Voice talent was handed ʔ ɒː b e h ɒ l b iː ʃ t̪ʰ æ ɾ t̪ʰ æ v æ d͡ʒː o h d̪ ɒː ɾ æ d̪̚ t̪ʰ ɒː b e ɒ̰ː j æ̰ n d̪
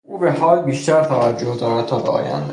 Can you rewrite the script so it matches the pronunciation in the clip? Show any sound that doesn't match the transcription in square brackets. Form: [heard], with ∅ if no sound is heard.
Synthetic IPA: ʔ [uː] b e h [ɒː] l b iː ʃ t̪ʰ æ ɾ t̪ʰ æ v æ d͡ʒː o h d̪ ɒː ɾ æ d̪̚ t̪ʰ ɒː b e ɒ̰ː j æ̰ n d̪